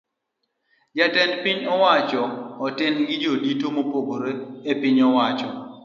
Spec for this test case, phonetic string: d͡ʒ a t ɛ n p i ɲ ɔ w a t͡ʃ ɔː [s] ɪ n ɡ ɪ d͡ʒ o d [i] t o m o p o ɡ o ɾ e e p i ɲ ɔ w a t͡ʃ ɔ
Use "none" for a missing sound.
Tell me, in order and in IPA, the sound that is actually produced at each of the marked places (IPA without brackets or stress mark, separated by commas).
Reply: t, i